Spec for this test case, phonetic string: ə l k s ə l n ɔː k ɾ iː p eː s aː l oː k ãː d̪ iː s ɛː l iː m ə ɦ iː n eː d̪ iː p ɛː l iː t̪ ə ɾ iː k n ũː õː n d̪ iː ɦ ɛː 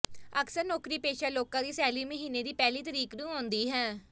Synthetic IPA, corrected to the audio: ə k s ə ɾ n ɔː k ɾ iː p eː ʃ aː l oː k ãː d̪ iː s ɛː l iː m ə ɦ iː n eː d̪ iː p ɛː l iː t̪ ə ɾ iː k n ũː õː n d̪ iː ɦ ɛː